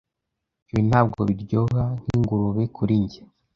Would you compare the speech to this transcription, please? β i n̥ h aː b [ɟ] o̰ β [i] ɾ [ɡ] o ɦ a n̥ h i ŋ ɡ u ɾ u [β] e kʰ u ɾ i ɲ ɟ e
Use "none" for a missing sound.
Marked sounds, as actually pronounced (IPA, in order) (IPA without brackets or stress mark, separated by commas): ɡ, i, ɟ, β